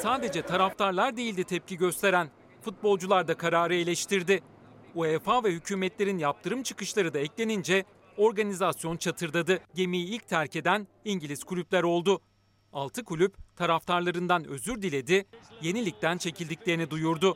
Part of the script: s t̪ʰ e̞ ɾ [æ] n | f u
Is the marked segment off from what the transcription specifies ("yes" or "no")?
no